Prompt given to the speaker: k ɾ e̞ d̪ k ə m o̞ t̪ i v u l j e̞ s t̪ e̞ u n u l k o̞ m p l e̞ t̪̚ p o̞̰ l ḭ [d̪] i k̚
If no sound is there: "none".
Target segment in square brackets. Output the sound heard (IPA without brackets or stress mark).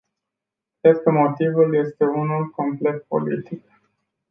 t̪